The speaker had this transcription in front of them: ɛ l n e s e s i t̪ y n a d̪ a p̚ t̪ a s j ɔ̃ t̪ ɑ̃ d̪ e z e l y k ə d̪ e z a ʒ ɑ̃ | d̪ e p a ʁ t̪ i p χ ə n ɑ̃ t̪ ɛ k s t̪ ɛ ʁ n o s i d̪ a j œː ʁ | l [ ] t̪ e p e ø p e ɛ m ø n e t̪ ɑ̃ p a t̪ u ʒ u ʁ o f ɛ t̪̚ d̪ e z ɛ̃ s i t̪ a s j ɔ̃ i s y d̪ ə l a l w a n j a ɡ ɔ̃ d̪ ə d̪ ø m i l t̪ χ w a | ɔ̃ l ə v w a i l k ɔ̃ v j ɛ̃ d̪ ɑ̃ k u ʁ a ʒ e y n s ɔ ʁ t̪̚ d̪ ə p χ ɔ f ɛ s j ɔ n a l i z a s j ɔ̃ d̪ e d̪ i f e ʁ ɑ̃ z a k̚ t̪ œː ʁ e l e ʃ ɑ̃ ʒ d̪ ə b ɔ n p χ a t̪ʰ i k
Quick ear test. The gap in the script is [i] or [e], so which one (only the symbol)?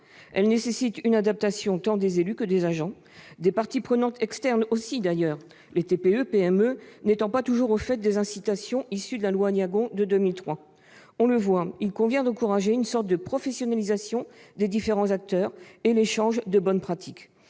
e